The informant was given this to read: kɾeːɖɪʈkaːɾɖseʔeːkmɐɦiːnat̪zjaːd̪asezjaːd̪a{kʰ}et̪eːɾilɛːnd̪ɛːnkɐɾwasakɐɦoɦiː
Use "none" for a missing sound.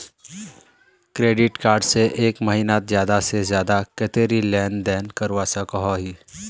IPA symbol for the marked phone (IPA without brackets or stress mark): k